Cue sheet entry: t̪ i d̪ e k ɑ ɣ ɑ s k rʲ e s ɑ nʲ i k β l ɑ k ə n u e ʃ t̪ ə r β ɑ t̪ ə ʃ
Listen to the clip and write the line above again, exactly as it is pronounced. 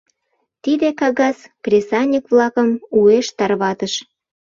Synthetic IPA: t̪ i d̪ e k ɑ ɣ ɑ s k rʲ e s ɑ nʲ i k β l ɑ k ə m u e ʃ t̪ ɑ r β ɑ t̪ ə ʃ